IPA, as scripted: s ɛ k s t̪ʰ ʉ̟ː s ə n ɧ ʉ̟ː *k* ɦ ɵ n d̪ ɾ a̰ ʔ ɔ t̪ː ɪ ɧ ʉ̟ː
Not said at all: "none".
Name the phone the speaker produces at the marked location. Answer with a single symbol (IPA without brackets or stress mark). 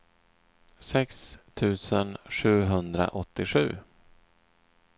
none